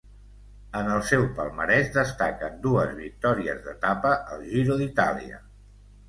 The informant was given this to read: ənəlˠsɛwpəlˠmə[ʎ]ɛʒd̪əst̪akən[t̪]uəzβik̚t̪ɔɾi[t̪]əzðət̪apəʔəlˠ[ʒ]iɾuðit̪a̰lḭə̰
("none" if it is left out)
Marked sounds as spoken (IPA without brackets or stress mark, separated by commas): ɾ, d̪, none, ʒ